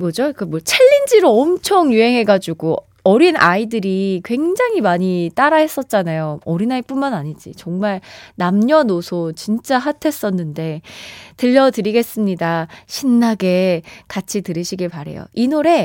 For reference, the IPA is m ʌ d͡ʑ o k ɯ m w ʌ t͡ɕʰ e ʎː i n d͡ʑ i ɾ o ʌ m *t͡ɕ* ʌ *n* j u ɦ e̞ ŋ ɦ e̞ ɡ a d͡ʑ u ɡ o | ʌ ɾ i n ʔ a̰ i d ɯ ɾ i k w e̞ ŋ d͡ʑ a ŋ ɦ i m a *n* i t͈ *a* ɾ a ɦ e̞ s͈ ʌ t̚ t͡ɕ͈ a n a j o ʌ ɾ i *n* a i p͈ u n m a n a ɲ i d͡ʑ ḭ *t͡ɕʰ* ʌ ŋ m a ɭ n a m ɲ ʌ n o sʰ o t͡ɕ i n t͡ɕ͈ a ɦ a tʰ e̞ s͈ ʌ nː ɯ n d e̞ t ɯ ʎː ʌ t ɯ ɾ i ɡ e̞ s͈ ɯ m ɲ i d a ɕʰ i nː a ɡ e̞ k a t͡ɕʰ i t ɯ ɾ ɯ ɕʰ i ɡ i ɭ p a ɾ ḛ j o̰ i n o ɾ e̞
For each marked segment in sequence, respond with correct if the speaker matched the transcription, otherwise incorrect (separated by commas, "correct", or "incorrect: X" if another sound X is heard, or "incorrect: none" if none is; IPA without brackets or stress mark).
incorrect: t͡ɕʰ, incorrect: ŋ, incorrect: ɲ, correct, correct, incorrect: t͡ɕ